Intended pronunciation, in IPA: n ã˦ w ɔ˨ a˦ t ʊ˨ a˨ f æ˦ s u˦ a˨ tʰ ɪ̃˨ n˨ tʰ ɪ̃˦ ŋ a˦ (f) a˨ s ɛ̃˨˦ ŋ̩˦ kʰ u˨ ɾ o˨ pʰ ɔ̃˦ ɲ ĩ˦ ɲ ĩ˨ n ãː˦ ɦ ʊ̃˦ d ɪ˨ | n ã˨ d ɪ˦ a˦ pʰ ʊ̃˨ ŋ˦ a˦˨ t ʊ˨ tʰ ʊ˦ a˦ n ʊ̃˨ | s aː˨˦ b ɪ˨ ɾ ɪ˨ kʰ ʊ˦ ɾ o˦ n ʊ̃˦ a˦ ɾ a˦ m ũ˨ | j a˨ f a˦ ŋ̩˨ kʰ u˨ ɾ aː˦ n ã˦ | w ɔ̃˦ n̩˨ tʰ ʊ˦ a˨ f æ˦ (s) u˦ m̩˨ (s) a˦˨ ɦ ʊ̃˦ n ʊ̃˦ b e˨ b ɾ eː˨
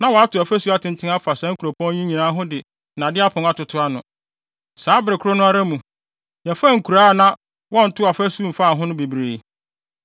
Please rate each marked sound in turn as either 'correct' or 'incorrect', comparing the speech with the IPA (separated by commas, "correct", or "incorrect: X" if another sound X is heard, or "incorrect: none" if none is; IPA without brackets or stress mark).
correct, correct, incorrect: f